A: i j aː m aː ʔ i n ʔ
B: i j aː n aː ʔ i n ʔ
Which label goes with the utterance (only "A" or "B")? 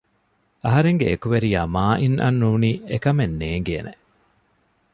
A